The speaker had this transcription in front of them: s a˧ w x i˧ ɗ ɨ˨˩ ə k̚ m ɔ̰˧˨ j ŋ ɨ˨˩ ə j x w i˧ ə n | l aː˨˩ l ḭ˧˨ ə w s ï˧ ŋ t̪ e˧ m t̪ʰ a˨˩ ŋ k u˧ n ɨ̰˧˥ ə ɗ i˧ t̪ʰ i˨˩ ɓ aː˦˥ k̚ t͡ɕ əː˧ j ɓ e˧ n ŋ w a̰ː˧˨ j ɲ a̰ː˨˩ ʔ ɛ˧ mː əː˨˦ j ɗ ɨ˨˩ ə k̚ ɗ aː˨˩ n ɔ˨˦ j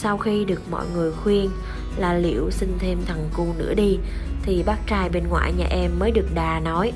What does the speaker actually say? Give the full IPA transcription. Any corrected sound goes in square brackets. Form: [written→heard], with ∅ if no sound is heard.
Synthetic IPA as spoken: s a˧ w x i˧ ɗ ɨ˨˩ ə k̚ m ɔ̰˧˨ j ŋ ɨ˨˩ ə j x w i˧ ə n | l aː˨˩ l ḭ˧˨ ə w s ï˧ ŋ [t̪→t̪ʰ] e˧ m t̪ʰ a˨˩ ŋ k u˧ n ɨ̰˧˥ ə ɗ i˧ t̪ʰ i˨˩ ɓ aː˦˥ k̚ t͡ɕ [əː˧→aː˧] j ɓ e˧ n ŋ w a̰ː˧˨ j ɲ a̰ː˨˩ ʔ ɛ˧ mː əː˨˦ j ɗ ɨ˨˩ ə k̚ ɗ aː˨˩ n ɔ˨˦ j

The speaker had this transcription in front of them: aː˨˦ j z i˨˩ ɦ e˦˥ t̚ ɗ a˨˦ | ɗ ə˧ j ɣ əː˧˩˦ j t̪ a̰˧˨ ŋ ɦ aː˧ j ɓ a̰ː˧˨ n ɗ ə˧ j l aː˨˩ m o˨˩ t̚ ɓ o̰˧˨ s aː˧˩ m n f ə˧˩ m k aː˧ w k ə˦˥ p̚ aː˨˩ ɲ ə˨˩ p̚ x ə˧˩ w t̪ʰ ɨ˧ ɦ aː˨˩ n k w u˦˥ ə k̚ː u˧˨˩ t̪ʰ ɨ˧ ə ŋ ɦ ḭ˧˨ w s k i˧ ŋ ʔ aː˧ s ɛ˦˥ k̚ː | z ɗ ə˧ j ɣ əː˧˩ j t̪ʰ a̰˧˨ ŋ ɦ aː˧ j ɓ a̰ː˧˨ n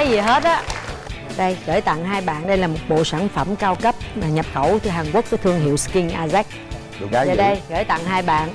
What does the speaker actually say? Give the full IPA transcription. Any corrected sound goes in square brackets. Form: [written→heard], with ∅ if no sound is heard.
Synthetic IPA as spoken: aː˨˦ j z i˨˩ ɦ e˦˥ t̚ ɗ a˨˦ | ɗ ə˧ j ɣ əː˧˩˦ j t̪ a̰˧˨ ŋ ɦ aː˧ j ɓ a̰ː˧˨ n ɗ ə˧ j l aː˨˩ m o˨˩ t̚ ɓ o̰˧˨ s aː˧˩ m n f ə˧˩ m k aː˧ w k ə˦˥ p̚ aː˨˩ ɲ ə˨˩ p̚ x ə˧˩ w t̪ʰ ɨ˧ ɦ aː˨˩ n k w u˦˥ ə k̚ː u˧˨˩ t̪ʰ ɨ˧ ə ŋ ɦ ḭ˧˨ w s k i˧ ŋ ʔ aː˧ [s→z] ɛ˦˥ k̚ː | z ɗ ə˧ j ɣ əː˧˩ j [t̪ʰ→t̪] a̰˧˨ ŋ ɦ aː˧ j ɓ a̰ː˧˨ n

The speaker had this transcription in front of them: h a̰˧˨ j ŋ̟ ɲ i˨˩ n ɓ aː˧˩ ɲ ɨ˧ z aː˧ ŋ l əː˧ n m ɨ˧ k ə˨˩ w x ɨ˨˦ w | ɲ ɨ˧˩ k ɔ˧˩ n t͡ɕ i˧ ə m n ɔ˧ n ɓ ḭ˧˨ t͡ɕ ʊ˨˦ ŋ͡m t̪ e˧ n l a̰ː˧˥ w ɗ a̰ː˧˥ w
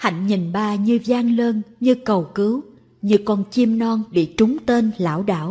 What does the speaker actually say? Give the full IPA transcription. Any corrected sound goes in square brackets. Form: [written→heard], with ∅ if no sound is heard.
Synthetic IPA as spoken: h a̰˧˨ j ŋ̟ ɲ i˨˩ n ɓ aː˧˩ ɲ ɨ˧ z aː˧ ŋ l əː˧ n [m→ɲ] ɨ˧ k ə˨˩ w [x→k] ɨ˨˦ w | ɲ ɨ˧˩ k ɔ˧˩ n t͡ɕ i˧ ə m n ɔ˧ n ɓ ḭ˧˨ t͡ɕ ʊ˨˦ ŋ͡m t̪ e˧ n l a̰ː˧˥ w ɗ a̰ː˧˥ w

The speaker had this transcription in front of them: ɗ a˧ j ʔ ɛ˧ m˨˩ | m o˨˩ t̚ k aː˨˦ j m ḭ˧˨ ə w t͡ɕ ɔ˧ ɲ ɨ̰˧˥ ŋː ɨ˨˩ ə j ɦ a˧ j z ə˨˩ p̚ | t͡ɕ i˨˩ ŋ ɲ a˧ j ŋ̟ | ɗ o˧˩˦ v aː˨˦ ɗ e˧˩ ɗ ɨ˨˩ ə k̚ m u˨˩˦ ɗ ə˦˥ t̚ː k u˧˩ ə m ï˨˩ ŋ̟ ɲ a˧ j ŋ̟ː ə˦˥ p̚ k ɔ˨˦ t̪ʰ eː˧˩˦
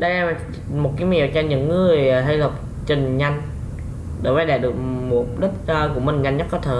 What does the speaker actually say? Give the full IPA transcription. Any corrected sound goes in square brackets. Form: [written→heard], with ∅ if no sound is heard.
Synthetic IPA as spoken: ɗ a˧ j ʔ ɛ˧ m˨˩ | m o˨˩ t̚ k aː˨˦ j m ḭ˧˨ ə w t͡ɕ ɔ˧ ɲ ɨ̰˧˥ ŋː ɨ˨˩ ə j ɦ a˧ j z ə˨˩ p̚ | t͡ɕ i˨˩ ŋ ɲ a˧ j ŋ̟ | ɗ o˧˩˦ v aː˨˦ ɗ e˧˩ ɗ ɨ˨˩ ə k̚ m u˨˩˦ ɗ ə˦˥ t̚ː k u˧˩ ə m ï˨˩ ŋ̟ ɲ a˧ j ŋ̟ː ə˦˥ [p̚→t̚] k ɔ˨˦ t̪ʰ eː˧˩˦

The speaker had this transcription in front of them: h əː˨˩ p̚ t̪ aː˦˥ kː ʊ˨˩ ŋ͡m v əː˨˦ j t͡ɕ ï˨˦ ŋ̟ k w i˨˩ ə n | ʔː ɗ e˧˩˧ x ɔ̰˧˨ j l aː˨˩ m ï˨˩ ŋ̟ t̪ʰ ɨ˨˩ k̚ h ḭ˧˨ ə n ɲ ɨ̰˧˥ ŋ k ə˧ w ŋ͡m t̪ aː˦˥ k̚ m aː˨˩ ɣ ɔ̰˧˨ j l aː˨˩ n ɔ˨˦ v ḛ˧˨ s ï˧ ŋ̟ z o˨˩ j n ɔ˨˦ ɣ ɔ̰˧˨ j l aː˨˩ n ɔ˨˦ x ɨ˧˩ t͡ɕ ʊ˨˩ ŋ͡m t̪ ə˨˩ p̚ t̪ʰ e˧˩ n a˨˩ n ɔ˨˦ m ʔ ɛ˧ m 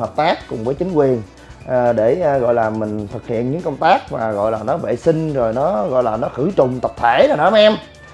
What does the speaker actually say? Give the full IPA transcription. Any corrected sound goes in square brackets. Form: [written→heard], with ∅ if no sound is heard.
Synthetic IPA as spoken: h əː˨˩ p̚ t̪ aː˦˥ kː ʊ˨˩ ŋ͡m v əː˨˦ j t͡ɕ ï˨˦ ŋ̟ k w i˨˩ ə n | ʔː ɗ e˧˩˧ [x→ɣ] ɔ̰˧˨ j l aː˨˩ m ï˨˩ ŋ̟ t̪ʰ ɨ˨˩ k̚ h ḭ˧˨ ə n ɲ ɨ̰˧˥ ŋ k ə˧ w ŋ͡m t̪ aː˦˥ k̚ m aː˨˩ ɣ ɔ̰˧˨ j l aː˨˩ n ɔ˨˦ v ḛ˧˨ s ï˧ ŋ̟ z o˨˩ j n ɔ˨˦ ɣ ɔ̰˧˨ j l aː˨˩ n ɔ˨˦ x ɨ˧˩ t͡ɕ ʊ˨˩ ŋ͡m t̪ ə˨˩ p̚ t̪ʰ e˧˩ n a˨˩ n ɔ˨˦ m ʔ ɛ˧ m

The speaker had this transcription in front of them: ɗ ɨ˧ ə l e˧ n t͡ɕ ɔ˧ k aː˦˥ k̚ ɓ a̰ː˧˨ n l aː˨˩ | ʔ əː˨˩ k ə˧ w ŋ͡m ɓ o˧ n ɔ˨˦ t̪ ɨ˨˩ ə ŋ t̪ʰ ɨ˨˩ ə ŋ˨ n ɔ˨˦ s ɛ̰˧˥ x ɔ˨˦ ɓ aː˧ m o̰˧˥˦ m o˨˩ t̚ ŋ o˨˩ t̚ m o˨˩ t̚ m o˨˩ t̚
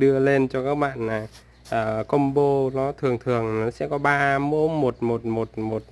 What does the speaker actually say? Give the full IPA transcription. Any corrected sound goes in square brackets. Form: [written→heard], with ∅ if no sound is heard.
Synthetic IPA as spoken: ɗ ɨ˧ ə l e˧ n t͡ɕ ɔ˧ k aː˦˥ k̚ ɓ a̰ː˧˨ n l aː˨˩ | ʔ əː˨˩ k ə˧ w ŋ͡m ɓ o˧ n ɔ˨˦ [t̪→t̪ʰ] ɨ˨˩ ə ŋ t̪ʰ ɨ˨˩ ə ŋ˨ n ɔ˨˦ s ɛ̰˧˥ [x→k] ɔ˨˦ ɓ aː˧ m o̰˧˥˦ m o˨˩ t̚ [ŋ→m] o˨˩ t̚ m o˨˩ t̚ m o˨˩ t̚

